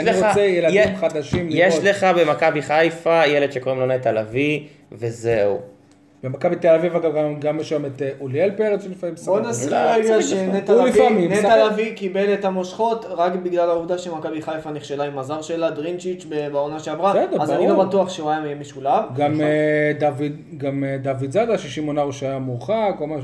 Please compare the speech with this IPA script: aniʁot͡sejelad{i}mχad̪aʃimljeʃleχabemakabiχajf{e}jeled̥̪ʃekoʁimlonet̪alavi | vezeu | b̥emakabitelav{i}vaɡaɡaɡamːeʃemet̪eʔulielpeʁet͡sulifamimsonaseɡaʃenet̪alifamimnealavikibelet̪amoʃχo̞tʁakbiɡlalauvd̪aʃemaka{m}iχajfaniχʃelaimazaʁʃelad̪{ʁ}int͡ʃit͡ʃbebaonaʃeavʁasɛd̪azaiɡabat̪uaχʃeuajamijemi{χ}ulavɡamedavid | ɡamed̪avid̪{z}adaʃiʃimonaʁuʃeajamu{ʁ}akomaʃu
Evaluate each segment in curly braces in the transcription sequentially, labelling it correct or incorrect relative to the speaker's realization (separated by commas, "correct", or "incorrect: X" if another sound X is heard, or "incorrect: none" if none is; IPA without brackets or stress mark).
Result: correct, incorrect: a, correct, incorrect: b, correct, incorrect: ʃ, correct, incorrect: χ